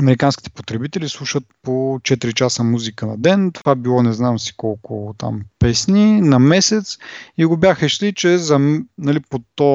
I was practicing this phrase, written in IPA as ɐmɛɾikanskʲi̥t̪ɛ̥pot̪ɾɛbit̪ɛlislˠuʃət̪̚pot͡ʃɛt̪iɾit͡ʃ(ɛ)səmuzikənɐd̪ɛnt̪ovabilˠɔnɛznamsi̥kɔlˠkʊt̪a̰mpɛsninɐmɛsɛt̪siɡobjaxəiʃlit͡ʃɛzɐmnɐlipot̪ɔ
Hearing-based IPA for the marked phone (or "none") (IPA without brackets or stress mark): a